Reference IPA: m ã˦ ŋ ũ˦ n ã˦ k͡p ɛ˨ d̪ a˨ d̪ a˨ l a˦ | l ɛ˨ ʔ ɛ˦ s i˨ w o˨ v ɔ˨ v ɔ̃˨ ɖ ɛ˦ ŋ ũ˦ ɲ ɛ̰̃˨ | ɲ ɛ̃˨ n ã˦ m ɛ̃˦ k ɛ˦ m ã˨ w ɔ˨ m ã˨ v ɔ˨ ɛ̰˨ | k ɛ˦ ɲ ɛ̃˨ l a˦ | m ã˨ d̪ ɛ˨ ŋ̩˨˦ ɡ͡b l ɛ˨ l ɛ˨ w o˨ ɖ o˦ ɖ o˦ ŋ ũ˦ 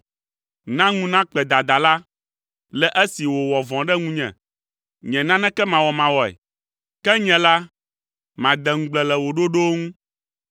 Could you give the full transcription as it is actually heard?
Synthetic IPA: n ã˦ ŋ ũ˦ n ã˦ k͡p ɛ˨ d̪ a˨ d̪ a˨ l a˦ | l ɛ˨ ʔ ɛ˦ s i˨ w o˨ w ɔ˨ v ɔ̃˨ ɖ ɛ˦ ŋ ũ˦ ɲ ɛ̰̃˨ | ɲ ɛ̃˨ n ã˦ n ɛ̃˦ k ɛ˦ m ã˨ w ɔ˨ m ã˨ w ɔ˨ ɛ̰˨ | k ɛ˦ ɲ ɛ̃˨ l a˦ | m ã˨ d̪ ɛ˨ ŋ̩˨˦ ɡ͡b l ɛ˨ l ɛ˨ w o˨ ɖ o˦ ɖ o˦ ŋ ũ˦